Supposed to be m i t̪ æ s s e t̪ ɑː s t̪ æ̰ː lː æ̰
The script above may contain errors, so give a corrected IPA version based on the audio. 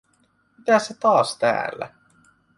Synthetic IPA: m i t̪ æ s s e t̪ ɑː s t̪ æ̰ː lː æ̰